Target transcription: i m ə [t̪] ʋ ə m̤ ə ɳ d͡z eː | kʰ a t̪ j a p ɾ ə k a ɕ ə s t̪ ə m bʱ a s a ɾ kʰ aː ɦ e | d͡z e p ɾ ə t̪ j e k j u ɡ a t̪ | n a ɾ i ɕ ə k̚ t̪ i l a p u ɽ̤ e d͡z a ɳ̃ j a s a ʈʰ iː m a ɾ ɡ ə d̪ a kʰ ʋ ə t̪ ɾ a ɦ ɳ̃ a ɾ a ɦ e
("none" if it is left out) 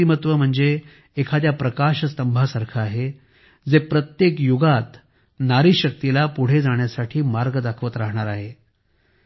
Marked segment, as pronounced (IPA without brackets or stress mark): t̪